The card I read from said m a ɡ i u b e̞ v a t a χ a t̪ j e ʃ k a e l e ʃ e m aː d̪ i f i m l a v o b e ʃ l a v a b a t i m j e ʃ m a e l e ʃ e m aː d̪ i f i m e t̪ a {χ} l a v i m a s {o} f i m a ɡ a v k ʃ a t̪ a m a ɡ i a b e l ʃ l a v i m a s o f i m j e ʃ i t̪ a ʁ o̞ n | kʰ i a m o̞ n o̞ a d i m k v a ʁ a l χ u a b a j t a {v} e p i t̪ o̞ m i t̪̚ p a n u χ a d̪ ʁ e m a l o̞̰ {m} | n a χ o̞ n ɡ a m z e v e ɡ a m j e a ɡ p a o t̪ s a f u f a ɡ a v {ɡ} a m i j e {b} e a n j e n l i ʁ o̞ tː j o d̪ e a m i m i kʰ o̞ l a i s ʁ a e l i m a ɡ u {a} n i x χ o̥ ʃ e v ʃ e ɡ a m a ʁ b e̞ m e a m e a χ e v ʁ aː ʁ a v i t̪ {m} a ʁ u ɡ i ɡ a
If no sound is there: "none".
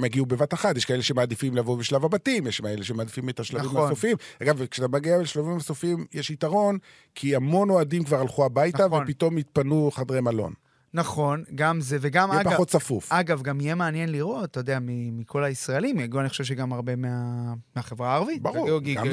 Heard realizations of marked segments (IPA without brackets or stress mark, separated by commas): ʃ, o, v, n, ɡ, m, a, b